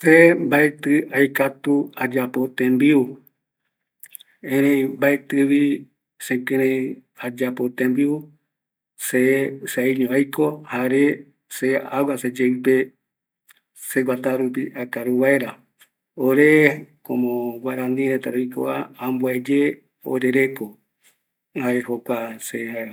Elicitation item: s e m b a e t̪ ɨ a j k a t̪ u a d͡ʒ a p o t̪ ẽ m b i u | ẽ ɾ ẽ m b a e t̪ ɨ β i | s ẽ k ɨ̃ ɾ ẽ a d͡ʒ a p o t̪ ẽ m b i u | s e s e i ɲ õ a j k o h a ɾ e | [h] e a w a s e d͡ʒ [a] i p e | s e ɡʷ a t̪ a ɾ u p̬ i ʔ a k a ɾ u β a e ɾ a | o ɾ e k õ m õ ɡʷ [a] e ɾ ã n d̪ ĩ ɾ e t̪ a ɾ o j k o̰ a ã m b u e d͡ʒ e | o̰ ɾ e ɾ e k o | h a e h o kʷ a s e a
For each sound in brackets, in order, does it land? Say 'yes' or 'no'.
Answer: no, no, yes

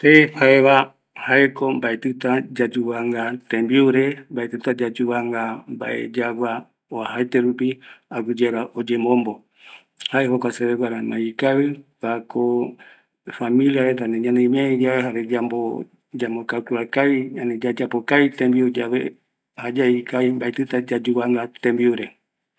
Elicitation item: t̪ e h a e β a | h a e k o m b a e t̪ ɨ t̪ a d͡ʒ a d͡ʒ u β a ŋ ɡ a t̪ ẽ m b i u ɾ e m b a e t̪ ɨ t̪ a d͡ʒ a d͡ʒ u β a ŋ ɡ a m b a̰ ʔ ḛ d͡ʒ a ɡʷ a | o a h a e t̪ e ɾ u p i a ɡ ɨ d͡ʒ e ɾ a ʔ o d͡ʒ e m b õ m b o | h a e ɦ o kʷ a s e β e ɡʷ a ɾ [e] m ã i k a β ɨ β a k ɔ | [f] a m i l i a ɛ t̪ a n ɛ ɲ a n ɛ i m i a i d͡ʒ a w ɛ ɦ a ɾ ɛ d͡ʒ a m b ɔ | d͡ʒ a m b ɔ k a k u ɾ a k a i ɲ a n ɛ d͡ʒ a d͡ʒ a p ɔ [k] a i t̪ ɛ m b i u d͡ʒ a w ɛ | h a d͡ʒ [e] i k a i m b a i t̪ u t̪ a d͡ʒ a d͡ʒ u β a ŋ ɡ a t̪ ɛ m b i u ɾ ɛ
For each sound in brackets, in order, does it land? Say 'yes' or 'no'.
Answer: no, yes, yes, no

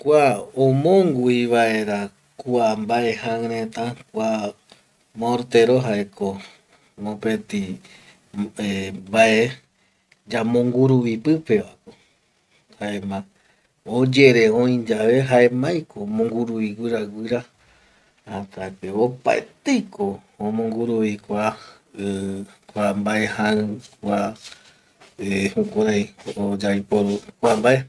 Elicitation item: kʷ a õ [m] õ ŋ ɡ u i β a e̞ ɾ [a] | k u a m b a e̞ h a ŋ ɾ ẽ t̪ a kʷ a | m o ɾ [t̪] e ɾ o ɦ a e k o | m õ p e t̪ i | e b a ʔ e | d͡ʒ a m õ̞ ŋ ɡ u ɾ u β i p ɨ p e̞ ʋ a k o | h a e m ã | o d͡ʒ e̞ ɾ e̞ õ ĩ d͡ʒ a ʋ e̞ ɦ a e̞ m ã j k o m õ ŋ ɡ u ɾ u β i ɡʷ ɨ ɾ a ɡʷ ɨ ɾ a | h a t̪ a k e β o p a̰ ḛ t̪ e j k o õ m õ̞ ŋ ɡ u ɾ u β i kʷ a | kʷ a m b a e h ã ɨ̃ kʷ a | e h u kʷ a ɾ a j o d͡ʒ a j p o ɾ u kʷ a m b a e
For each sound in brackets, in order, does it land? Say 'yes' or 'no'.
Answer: yes, yes, yes

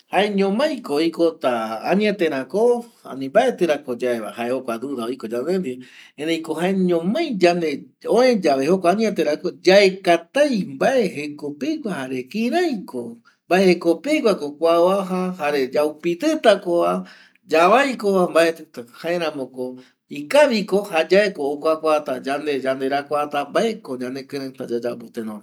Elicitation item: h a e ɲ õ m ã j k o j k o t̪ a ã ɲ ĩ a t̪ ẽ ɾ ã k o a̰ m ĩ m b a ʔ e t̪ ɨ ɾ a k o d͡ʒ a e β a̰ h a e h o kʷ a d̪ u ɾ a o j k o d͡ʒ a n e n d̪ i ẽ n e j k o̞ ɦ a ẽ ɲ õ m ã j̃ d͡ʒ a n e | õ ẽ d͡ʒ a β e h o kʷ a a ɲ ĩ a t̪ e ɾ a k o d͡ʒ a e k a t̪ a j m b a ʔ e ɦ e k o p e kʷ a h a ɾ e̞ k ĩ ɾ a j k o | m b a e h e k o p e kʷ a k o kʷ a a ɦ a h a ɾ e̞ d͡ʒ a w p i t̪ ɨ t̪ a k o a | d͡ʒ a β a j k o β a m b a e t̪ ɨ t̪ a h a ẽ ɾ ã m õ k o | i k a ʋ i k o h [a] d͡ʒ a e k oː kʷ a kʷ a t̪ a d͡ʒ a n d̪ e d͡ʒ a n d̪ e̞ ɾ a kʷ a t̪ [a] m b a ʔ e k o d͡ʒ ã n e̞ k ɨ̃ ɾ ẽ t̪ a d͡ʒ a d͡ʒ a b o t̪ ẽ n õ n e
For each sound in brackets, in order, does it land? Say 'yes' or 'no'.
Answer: yes, yes

